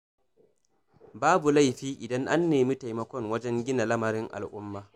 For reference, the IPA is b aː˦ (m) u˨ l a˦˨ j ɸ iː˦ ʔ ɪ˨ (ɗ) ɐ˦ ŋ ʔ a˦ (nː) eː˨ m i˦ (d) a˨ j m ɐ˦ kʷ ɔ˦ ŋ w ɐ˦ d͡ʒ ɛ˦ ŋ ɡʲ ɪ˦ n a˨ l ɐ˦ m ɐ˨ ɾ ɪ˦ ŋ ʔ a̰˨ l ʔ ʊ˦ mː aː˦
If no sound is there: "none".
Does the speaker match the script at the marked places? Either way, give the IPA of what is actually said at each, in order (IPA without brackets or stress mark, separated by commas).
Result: b, d, nː, t